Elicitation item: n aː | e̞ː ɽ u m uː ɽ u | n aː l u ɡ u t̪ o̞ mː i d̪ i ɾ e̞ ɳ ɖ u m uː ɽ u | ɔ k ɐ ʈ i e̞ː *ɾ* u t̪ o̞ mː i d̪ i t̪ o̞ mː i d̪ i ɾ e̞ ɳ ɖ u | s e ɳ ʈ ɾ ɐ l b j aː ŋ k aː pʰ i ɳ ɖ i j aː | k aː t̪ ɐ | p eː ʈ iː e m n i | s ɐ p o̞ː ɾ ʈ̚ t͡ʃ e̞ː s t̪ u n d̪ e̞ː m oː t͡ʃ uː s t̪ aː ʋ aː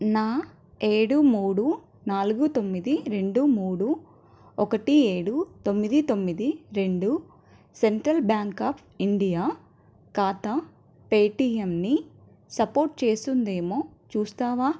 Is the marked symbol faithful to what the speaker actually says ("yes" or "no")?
no